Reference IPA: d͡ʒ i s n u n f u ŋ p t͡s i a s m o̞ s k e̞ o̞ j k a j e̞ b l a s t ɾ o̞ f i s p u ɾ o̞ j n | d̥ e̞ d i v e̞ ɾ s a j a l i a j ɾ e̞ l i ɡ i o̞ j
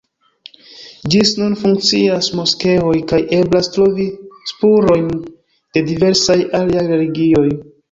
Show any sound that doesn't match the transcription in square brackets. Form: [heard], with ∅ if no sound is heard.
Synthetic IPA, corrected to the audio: d͡ʒ i s n u n f u ŋ [k] t͡s i a s m o̞ s k e̞ o̞ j k a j e̞ b l a s t ɾ o̞ [v] i s p u ɾ o̞ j n | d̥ e̞ d i v e̞ ɾ s a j a l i a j ɾ e̞ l i ɡ i o̞ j